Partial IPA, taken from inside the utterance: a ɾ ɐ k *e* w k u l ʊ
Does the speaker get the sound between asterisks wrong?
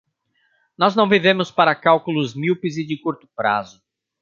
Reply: yes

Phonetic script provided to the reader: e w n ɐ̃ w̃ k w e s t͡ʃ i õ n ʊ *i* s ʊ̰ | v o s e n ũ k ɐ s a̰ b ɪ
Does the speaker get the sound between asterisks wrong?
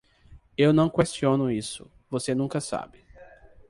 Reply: no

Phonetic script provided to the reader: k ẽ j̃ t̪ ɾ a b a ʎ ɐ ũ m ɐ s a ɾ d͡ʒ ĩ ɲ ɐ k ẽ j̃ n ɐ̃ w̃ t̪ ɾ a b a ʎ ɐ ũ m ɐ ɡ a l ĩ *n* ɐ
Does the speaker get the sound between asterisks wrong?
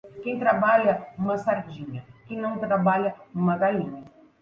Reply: yes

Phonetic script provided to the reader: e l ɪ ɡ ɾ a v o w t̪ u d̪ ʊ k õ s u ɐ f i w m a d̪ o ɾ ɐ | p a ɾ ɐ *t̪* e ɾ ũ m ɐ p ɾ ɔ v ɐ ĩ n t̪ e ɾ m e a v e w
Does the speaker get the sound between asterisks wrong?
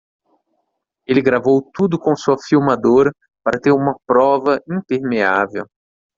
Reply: no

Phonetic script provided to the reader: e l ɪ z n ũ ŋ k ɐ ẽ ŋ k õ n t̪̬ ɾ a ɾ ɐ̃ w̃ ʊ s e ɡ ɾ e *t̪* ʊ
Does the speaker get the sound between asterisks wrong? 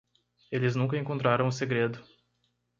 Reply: yes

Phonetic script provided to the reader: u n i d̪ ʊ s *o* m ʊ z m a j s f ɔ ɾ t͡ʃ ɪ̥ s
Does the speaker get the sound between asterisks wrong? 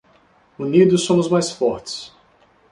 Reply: yes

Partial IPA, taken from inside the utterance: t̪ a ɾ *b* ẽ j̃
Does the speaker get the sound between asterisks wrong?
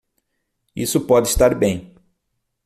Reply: no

